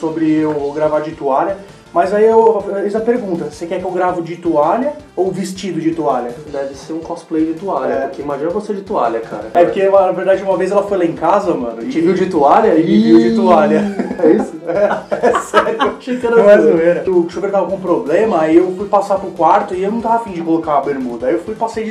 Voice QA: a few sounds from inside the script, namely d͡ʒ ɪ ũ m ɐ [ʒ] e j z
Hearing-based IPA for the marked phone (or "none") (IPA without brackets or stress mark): v